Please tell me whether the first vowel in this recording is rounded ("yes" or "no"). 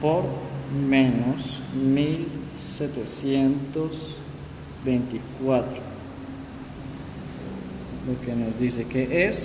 yes